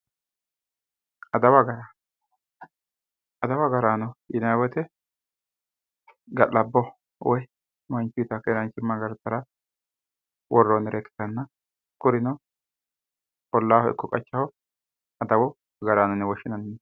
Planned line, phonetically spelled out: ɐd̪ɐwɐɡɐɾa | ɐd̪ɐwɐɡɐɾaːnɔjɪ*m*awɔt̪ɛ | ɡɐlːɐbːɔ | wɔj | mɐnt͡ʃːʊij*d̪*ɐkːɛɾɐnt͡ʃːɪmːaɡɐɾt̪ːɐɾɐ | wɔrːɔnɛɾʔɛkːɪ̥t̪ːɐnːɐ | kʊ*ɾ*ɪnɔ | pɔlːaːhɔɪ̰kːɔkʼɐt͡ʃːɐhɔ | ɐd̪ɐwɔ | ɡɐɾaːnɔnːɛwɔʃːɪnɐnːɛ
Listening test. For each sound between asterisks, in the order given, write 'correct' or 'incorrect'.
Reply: incorrect, incorrect, correct

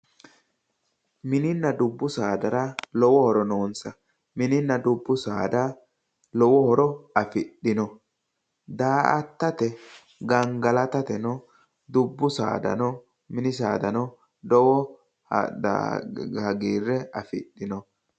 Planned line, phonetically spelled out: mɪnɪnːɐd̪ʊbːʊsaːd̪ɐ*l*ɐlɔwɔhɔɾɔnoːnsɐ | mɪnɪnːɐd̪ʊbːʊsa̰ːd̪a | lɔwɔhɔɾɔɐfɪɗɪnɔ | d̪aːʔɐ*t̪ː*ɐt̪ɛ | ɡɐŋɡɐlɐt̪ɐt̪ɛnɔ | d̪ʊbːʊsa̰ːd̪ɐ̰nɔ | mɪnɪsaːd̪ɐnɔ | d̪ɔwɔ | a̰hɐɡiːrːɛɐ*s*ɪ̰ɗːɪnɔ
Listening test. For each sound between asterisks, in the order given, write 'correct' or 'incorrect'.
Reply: incorrect, correct, incorrect

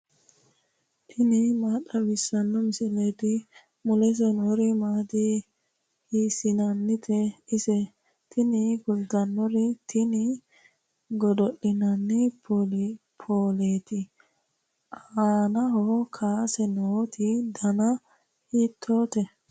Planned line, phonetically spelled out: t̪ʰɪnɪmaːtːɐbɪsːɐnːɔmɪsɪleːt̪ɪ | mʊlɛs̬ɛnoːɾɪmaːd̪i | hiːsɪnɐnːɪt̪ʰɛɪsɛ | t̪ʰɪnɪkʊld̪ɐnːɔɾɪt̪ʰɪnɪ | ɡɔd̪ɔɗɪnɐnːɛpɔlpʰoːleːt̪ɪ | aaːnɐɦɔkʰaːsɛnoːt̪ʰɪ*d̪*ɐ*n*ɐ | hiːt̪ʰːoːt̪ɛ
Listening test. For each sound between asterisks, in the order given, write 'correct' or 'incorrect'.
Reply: correct, correct

